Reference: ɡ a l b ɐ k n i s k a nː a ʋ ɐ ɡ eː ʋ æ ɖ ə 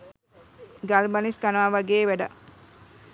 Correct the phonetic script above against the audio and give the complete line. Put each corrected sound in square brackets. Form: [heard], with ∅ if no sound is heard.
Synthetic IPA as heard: ɡ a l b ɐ [∅] n i s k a [n] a ʋ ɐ ɡ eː ʋ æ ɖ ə